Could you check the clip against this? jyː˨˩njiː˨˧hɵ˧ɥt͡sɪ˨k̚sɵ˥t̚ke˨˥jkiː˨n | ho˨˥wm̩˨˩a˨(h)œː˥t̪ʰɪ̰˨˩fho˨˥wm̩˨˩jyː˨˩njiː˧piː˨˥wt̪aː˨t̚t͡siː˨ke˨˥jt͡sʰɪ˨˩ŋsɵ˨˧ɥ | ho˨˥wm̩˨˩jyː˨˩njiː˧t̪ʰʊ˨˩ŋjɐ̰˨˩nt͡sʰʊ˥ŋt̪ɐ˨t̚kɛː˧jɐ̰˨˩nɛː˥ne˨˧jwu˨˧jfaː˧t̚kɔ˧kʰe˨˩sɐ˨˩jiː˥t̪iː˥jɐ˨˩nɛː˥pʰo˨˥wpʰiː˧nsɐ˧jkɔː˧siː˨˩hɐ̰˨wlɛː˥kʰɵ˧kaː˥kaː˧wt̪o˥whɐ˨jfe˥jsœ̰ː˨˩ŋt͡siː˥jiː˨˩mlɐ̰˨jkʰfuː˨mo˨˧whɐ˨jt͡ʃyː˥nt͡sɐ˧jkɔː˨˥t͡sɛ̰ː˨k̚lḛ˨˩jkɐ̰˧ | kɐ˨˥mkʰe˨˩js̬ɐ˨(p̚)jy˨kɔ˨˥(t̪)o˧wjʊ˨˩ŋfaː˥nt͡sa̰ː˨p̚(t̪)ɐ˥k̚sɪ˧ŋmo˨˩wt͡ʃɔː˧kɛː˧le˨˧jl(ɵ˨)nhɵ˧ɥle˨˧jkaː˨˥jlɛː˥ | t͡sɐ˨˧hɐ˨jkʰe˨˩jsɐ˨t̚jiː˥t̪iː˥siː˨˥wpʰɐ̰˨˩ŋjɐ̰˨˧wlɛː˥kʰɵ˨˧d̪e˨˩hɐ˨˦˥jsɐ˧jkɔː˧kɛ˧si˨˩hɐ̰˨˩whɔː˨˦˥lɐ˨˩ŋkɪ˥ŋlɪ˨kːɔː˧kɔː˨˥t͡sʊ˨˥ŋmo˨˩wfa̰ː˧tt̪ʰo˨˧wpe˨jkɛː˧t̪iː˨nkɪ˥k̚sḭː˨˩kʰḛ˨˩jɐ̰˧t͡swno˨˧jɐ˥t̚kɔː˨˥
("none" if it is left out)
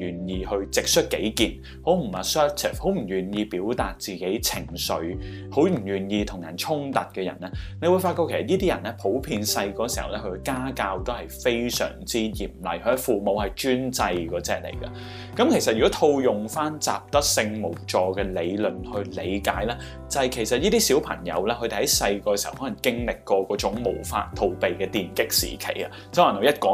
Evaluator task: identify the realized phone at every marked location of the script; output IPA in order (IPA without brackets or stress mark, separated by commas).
s, t̚, t̪ʰ, t̪, ɵ˨